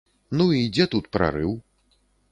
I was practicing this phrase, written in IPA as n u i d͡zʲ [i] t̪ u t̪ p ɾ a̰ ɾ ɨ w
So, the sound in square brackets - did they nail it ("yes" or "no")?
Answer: no